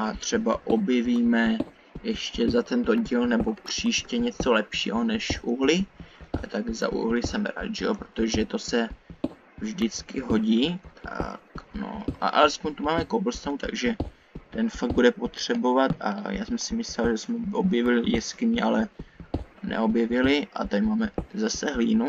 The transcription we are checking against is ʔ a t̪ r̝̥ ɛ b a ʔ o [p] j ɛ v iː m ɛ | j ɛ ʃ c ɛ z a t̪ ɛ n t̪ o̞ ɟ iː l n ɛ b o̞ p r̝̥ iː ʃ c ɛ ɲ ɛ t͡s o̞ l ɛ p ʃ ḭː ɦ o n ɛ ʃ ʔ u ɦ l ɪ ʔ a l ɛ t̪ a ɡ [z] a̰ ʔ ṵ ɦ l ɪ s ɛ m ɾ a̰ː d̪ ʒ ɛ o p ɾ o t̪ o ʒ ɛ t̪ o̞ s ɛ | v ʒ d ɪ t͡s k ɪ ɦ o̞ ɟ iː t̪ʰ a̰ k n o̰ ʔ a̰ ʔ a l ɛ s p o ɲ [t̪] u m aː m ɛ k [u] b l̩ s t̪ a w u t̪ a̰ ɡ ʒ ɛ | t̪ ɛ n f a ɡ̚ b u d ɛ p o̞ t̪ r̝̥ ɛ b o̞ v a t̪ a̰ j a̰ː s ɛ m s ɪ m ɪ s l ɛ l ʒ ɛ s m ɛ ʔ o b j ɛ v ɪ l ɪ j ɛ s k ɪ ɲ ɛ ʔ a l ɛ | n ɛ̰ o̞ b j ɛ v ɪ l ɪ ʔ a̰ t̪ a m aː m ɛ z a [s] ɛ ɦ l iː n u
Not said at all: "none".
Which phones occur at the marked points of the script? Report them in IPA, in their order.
b, z, t̪, o, s

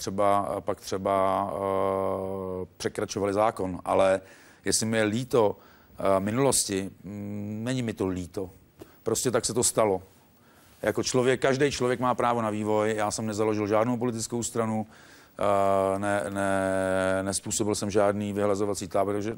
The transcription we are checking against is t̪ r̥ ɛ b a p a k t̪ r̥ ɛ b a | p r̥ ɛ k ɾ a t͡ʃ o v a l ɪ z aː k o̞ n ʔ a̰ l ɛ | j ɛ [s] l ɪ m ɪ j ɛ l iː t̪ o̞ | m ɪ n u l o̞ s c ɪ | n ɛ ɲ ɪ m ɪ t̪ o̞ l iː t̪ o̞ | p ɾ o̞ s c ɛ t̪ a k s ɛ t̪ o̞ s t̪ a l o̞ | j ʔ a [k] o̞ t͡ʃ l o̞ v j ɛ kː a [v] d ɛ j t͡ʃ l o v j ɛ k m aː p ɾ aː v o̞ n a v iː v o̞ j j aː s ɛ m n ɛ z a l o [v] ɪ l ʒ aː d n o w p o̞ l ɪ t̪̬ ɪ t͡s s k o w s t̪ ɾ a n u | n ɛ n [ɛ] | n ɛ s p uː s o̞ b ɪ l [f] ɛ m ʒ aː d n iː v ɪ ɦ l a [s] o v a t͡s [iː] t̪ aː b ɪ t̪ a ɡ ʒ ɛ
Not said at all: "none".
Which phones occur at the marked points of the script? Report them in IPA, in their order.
s, k, ʒ, ʒ, ɛ, s, z, iː

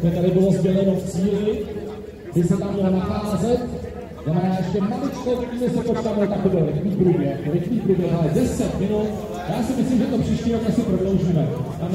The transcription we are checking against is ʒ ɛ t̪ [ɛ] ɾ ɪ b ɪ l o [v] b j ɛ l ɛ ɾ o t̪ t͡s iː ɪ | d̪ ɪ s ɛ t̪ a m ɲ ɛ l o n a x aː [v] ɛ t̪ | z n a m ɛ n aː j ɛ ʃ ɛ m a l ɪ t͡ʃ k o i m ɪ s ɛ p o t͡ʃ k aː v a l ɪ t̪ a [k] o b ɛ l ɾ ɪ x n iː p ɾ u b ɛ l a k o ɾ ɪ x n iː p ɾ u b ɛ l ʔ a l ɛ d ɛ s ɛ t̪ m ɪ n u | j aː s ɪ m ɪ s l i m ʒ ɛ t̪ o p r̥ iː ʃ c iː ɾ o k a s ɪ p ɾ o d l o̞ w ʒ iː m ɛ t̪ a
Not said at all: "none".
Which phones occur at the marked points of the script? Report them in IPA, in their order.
a, z, z, k

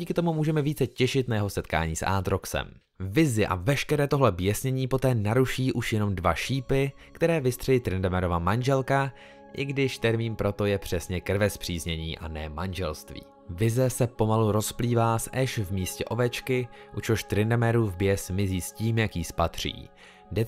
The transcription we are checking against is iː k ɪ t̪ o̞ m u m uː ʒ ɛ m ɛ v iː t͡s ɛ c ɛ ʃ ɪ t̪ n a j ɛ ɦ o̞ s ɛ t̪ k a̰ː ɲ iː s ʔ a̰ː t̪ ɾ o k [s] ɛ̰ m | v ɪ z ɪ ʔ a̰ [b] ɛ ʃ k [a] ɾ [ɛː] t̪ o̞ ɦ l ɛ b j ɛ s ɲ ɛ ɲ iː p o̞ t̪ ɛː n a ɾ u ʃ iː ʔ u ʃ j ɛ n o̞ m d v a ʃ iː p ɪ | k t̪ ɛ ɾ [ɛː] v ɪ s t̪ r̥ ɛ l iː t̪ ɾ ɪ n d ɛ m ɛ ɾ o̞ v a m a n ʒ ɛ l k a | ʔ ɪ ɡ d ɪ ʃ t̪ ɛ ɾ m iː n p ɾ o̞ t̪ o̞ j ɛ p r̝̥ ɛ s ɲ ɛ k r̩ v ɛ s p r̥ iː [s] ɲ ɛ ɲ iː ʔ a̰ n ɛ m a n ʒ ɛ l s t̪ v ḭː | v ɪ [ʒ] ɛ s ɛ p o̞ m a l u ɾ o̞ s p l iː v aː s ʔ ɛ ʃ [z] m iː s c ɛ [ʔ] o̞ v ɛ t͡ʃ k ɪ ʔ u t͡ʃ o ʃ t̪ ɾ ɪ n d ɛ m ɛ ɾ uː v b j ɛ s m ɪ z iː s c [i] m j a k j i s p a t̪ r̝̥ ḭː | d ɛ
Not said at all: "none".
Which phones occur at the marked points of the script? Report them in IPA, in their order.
s, v, ɛ, ɛː, ɛː, z, z, v, ʔ, iː

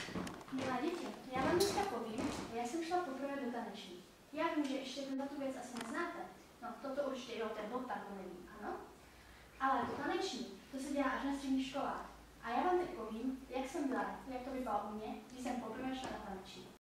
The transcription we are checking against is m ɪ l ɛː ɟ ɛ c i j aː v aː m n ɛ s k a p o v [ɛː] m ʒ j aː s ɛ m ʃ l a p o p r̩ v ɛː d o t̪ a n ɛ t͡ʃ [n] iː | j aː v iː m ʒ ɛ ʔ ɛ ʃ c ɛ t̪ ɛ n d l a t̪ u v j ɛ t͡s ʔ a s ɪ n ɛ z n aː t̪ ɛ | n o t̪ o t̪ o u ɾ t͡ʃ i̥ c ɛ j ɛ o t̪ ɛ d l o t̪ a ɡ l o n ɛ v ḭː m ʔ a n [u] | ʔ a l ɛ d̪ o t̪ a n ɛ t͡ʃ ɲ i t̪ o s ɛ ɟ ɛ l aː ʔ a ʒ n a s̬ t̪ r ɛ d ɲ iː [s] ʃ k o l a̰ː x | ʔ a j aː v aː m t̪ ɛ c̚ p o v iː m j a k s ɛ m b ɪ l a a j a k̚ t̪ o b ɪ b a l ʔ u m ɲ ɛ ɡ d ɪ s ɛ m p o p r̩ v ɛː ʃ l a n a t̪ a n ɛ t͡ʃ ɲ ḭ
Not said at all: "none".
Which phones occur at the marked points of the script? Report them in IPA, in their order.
iː, ɲ, o, x

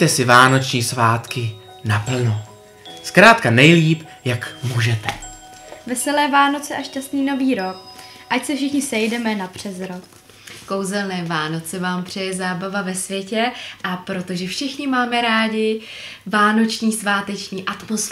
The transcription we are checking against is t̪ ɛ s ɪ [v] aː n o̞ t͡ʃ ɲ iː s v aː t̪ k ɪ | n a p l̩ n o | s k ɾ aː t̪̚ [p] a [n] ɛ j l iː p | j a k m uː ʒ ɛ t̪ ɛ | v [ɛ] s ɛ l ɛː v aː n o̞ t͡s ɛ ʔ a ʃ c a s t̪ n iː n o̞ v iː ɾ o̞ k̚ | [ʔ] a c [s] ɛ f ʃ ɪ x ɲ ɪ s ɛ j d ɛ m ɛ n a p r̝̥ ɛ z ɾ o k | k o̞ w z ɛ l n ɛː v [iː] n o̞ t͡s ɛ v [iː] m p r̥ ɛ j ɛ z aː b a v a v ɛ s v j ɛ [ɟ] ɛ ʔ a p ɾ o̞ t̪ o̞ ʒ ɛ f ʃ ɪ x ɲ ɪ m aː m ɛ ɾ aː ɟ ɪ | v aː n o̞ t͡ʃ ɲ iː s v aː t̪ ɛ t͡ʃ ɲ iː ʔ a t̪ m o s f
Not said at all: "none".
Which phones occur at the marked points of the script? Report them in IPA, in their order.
v, k, n, ɛ, ʔ, s, aː, aː, c

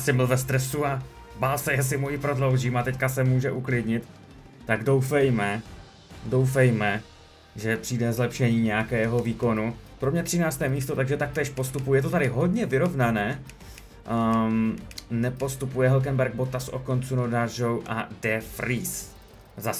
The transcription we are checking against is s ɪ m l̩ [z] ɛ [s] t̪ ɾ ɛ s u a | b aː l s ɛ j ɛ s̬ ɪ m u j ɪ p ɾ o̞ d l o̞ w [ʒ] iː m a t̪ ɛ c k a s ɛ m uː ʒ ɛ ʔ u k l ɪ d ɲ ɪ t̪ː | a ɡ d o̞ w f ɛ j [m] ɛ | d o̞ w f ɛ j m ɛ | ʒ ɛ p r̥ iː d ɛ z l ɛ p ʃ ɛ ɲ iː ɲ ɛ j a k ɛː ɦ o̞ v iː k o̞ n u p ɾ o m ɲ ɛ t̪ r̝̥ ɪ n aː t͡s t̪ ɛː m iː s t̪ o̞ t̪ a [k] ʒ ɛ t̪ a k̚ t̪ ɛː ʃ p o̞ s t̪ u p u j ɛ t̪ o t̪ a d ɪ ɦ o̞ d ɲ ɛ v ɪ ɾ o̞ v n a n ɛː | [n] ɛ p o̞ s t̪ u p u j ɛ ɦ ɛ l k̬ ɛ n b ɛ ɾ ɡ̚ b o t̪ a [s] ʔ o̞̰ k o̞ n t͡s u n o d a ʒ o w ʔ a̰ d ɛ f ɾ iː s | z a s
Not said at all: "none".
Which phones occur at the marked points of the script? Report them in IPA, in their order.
v, s, ʒ, m, ɡ, n, s

